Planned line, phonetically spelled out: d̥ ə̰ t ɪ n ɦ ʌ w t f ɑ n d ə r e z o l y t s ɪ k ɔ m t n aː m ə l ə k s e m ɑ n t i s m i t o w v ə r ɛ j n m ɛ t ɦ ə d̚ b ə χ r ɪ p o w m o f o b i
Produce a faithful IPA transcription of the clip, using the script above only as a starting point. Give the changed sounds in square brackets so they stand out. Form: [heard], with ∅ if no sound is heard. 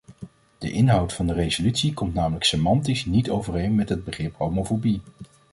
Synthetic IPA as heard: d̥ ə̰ [ʔ] ɪ n ɦ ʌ w t f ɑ n d ə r e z o l y t s [i] k ɔ m t n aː m ə l ə k s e m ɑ n t i s [n] i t o w v ə r [e] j n m ɛ t ɦ ə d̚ b ə χ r ɪ p o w m o f o b i